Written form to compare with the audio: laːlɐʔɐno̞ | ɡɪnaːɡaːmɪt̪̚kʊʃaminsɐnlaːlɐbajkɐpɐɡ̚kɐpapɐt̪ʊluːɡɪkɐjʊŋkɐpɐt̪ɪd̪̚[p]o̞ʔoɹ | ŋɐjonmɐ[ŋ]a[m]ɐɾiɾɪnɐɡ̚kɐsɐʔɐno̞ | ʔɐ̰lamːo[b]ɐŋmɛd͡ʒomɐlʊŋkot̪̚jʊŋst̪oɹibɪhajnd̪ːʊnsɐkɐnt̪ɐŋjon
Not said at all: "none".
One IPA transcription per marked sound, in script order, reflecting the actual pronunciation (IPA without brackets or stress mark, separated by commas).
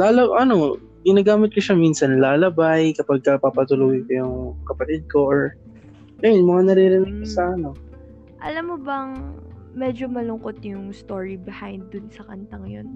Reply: k, ŋ, n, b